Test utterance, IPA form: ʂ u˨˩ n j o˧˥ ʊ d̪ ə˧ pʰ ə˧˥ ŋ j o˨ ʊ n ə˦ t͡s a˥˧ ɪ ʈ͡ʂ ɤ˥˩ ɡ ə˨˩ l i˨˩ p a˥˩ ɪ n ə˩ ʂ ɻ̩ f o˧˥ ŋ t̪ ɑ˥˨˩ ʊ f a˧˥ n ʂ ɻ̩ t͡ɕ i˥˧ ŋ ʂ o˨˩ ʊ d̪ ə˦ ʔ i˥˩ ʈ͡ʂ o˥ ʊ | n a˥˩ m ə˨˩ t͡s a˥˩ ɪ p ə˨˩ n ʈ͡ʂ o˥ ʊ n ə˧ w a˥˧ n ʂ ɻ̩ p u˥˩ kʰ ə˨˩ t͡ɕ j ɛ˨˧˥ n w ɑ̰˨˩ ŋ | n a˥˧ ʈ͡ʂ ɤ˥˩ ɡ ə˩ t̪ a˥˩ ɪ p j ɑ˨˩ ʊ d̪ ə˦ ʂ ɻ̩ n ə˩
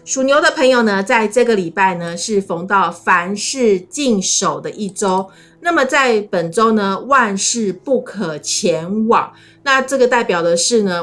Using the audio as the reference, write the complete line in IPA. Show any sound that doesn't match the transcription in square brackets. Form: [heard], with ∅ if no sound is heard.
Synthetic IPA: ʂ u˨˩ n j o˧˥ ʊ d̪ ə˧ pʰ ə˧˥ ŋ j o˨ ʊ n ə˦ t͡s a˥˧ ɪ ʈ͡ʂ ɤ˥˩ ɡ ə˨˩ l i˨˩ p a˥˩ ɪ n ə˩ ʂ ɻ̩ f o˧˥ ŋ t̪ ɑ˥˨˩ ʊ f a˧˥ n ʂ ɻ̩ t͡ɕ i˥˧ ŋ ʂ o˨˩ ʊ d̪ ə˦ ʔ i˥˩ ʈ͡ʂ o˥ ʊ | n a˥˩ m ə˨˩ t͡s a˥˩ ɪ p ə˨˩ n ʈ͡ʂ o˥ ʊ n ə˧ w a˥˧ n ʂ ɻ̩ p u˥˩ kʰ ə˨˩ [t͡ɕʰ] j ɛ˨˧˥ n w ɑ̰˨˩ ŋ | n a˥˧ ʈ͡ʂ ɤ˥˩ ɡ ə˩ t̪ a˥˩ ɪ p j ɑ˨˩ ʊ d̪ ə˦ ʂ ɻ̩ n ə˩